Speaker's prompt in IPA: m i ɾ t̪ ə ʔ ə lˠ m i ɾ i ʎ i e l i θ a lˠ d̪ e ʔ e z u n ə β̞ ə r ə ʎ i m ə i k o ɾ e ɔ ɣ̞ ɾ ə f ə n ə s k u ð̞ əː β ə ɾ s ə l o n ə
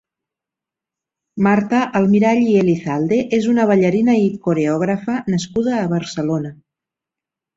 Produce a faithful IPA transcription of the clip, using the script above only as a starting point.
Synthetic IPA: m a ɾ t̪ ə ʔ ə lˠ m i ɾ a ʎ i e l i θ a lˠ d̪ e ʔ e z u n ə β̞ ə ʎ ə ɾ i n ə i k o ɾ e ɔ ɣ̞ ɾ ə f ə n ə s k u ð̞ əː β ə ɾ s ə l o n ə